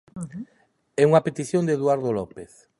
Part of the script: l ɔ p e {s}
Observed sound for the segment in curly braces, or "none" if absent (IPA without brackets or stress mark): θ